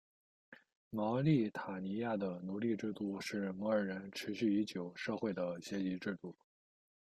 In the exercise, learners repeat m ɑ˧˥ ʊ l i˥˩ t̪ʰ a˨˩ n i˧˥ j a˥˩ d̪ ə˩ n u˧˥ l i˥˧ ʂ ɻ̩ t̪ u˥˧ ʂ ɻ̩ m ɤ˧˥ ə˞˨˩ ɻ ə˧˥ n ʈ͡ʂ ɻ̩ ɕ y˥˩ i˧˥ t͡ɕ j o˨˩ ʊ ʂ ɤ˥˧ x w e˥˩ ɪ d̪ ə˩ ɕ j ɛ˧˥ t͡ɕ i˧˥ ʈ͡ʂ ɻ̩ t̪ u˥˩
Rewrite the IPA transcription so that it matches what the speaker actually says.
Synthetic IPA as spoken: m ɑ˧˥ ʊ l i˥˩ t̪ʰ a˨˩ n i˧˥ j a˥˩ d̪ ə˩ n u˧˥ l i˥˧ ʈ͡ʂ ɻ̩ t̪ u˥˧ ʂ ɻ̩ m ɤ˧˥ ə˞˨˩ ɻ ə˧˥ n ʈ͡ʂʰ ɻ̩ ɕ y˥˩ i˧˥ t͡ɕ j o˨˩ ʊ ʂ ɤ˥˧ x w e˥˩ ɪ d̪ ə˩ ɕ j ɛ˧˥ t͡ɕ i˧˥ ʈ͡ʂ ɻ̩ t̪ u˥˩